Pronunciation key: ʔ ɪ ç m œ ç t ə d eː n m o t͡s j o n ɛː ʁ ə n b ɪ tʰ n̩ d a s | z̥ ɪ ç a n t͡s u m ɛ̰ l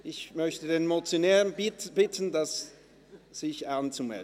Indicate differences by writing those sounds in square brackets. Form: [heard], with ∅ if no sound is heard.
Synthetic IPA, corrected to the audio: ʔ ɪ ç m œ ç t ə d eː n m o t͡s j o n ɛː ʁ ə n b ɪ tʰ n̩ d a s | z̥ ɪ ç a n t͡s u m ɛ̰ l

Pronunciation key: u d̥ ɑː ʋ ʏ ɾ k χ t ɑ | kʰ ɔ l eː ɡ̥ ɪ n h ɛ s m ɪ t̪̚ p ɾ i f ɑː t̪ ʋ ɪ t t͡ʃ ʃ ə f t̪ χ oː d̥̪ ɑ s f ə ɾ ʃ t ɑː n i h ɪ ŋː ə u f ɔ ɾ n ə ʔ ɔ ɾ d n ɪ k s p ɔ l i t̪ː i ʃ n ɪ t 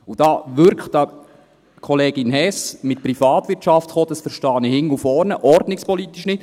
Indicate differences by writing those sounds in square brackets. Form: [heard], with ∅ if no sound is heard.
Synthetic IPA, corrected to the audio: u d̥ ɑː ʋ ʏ ɾ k χ t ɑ | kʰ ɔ l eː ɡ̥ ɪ n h ɛ s m ɪ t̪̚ p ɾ i f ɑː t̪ ʋ ɪ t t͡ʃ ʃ [ɑ] f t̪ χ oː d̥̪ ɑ s f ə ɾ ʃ t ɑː n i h ɪ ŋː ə u f ɔ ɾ n ə ʔ ɔ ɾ d n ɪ k s p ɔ l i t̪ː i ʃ n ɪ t

